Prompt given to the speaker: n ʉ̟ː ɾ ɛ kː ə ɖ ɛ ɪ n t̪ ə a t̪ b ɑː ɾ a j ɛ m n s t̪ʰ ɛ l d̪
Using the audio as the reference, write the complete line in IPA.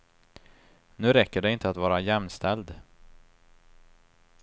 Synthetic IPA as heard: n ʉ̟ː ɾ ɛ kː ə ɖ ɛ ɪ n t̪ ə a t̪ v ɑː ɾ a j ɛ m n s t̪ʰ ɛ l d̪